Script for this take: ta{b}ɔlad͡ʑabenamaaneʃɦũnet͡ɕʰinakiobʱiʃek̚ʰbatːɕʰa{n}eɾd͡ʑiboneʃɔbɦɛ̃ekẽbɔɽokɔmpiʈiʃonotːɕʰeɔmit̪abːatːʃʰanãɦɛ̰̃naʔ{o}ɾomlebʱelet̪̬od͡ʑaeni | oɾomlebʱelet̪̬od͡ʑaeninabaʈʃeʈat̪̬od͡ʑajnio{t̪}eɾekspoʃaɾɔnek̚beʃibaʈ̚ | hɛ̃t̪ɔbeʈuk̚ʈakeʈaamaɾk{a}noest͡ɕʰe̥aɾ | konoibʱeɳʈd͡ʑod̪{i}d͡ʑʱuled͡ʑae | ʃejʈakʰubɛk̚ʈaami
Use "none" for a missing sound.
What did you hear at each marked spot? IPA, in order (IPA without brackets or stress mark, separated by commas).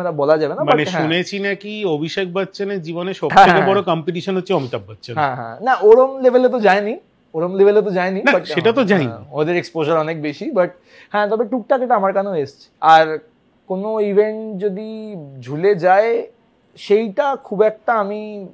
b, n, o, d̪, a, i